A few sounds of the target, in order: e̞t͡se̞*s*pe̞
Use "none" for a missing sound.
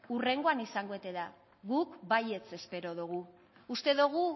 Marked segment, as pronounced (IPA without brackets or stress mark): s